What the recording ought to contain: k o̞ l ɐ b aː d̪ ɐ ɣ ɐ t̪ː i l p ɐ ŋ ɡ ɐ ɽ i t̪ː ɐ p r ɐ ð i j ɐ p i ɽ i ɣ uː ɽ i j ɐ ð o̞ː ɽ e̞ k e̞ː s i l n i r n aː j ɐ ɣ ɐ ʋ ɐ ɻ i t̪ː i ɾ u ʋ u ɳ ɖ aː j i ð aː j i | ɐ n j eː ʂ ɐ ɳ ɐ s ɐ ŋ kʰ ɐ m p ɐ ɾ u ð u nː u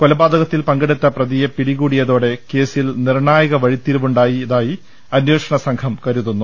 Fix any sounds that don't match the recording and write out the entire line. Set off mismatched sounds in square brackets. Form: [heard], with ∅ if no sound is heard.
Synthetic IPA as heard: k o̞ l ɐ b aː d̪ ɐ ɣ ɐ t̪ː i l p ɐ ŋ ɡ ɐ ɽ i t̪ː ɐ p r ɐ ð i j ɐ p i ɽ i ɣ uː ɽ i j ɐ ð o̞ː ɽ e̞ k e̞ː s i l n i r [ɳ] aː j ɐ ɣ ɐ ʋ ɐ ɻ i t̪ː i ɾ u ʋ u ɳ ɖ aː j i ð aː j i | ɐ n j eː ʂ ɐ ɳ ɐ s ɐ ŋ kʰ ɐ m [k] ɐ ɾ u ð u nː u